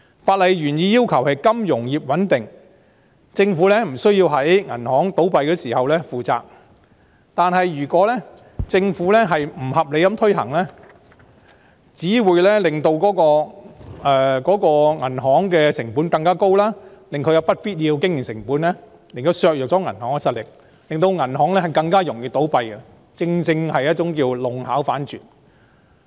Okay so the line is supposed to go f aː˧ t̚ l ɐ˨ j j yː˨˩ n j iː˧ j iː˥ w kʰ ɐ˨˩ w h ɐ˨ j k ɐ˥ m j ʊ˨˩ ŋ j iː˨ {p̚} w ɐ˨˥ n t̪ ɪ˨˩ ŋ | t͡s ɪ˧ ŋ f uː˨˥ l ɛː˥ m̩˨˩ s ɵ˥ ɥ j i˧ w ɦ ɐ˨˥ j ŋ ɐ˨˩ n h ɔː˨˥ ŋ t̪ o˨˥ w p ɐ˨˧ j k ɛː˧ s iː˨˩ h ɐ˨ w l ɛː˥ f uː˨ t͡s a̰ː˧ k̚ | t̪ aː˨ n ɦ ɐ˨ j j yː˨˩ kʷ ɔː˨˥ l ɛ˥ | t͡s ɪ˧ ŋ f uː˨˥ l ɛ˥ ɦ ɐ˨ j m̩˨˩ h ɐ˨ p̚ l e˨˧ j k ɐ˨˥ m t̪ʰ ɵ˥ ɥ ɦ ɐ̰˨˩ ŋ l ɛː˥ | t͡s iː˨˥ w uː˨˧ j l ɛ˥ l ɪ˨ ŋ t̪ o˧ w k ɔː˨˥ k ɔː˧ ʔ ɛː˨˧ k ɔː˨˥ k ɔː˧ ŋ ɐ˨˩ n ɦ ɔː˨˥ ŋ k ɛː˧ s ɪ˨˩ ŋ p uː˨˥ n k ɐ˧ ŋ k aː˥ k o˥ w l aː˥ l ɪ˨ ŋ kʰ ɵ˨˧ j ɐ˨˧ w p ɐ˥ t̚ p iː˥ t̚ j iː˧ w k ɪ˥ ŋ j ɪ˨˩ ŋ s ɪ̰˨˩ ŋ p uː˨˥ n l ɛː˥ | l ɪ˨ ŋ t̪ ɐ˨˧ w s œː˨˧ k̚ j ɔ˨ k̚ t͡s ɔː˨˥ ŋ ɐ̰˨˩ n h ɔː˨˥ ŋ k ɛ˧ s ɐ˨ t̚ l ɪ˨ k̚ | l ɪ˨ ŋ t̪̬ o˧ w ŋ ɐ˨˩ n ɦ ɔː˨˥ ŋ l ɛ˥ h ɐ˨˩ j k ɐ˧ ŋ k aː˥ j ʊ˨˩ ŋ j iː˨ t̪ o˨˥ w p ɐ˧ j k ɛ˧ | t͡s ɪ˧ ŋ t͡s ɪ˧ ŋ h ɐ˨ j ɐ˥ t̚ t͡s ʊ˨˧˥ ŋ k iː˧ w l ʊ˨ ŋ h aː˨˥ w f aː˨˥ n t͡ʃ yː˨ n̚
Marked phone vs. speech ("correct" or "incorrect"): correct